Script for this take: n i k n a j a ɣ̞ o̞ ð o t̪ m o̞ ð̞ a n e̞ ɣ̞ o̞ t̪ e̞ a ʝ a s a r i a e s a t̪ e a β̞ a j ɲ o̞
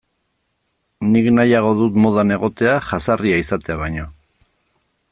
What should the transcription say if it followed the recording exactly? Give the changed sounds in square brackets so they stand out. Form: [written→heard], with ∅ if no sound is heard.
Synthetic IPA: n i k n a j a ɣ̞ o̞ ð [o→u] t̪ m o̞ ð̞ a n e̞ ɣ̞ o̞ t̪ e̞ a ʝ a s a r i a [e→i] s a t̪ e a β̞ a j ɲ o̞